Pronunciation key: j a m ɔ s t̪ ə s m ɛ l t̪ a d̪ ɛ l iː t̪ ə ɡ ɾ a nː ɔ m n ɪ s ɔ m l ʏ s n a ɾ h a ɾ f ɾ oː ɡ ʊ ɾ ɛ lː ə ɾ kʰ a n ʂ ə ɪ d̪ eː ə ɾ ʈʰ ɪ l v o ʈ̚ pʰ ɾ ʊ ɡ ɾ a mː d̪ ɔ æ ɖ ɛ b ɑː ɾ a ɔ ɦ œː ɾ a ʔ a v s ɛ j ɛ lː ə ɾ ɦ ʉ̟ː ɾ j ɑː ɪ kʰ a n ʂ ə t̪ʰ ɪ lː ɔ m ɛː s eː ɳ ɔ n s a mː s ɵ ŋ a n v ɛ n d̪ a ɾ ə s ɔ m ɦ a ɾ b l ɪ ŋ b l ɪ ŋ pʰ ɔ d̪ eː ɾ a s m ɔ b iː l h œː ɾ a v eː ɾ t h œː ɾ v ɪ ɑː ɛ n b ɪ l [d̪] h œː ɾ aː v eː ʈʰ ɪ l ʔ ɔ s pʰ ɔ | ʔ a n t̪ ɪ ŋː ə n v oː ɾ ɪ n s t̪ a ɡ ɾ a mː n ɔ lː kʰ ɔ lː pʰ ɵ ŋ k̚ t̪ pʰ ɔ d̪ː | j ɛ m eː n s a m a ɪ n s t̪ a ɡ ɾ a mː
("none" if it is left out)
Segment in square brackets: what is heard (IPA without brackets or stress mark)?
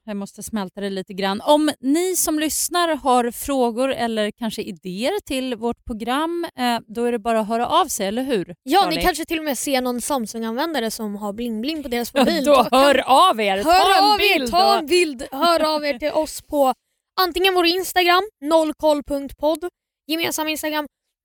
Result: d̪